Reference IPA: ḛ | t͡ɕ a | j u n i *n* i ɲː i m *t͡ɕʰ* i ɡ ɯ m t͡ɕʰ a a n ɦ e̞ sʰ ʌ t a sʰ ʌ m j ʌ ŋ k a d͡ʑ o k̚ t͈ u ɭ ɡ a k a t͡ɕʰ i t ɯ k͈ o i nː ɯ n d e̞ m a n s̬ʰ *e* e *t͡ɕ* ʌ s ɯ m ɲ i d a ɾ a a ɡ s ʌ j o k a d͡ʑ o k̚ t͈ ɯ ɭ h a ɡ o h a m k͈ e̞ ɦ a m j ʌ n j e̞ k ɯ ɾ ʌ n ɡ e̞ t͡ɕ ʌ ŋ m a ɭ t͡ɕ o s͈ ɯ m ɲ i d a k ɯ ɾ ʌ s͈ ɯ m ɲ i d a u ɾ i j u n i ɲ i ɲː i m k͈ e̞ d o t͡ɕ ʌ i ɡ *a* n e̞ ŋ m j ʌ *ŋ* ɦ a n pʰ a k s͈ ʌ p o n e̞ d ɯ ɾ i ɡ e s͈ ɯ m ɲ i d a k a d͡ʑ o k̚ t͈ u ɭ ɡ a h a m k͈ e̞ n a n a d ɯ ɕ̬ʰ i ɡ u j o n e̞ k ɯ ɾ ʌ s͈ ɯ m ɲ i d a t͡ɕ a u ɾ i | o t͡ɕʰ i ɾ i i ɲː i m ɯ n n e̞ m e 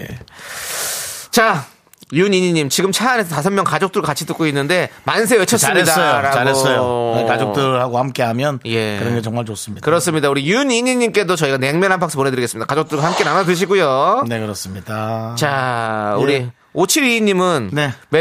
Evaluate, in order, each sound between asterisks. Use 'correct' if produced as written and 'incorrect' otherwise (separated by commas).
incorrect, incorrect, correct, incorrect, correct, incorrect